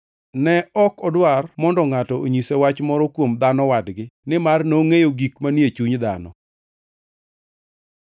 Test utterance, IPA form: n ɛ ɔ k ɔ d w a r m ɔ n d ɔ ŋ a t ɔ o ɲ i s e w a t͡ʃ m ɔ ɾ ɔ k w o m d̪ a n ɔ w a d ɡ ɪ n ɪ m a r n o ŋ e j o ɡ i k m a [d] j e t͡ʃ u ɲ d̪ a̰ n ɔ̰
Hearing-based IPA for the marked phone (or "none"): n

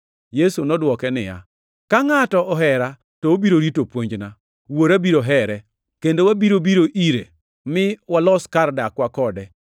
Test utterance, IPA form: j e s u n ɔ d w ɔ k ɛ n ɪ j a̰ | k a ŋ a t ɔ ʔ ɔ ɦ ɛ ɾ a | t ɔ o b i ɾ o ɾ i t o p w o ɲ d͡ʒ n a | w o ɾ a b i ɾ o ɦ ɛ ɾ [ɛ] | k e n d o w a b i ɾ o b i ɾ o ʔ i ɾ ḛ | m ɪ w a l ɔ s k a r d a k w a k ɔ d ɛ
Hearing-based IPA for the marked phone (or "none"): ɛ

